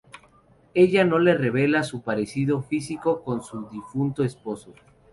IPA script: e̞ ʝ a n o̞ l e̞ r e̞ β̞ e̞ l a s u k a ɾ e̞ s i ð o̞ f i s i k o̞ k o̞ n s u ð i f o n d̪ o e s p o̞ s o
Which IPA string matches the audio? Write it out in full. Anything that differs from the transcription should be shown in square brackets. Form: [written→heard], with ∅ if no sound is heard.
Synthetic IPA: e̞ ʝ a n o̞ l e̞ r e̞ β̞ e̞ l a s u [k→p] a ɾ e̞ s i ð o̞ f i s i k o̞ k o̞ n s u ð i f [o→u] n [d̪→t̪] o e s p o̞ s o